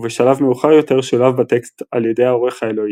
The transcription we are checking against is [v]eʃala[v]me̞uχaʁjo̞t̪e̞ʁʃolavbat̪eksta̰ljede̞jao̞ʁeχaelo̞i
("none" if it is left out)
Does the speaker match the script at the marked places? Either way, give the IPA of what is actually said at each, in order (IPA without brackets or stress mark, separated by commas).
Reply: v, v